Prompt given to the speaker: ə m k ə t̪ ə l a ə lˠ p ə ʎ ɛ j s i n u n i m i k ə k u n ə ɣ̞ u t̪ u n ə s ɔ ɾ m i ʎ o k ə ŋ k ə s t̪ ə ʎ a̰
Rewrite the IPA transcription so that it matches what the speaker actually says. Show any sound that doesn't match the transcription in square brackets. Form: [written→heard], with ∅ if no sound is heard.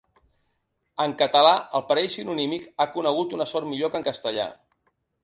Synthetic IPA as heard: ə [m→ŋ] k ə t̪ ə l a ə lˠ p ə [ʎ→ɾ] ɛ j s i n u n i m i k [ə→a] k u n ə ɣ̞ u t̪ u n ə s ɔ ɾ m i ʎ o k ə ŋ k ə s t̪ ə ʎ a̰